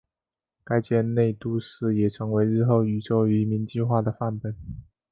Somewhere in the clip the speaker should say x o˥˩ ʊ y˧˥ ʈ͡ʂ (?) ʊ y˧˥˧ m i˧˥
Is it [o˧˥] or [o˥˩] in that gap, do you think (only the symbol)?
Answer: o˥˩